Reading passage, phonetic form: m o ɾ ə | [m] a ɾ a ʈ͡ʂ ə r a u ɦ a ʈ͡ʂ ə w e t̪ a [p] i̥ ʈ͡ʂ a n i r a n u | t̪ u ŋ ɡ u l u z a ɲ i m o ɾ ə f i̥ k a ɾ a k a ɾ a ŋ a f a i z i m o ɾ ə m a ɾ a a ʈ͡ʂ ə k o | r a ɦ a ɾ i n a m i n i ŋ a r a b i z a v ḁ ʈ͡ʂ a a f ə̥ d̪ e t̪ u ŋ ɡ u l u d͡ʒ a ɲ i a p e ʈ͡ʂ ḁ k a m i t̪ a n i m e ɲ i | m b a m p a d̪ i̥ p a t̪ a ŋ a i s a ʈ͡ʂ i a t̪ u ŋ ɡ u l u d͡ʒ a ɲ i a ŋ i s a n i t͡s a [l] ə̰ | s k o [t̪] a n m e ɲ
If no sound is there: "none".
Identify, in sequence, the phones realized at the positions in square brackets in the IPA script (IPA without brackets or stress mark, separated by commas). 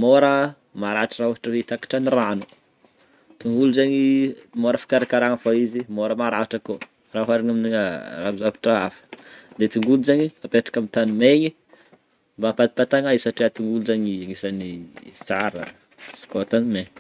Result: m, k, ɾ, t̪